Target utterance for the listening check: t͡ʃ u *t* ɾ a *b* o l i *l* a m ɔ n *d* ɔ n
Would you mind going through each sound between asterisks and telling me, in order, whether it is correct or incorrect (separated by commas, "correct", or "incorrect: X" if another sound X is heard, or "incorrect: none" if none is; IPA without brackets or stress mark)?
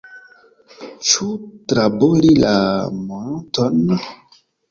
correct, correct, correct, incorrect: t